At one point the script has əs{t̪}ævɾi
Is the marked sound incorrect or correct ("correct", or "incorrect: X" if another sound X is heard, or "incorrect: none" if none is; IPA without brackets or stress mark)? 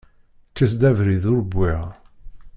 incorrect: d̪